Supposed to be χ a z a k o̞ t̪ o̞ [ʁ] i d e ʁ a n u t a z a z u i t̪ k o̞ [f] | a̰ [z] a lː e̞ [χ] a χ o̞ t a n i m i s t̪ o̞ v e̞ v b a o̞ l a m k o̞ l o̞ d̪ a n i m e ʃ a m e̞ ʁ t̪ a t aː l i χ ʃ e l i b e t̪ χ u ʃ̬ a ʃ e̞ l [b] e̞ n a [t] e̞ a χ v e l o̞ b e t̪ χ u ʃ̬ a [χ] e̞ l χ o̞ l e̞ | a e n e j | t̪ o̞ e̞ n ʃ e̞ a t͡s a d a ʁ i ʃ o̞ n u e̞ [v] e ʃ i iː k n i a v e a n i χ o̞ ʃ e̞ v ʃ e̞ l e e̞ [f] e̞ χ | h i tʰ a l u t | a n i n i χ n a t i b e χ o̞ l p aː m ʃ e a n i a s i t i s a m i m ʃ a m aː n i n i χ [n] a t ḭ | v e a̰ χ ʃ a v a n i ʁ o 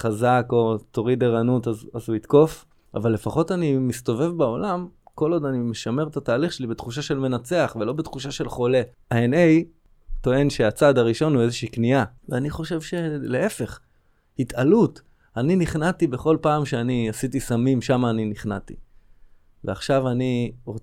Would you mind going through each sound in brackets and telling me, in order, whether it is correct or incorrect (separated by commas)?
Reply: correct, correct, incorrect, incorrect, incorrect, incorrect, incorrect, incorrect, correct, correct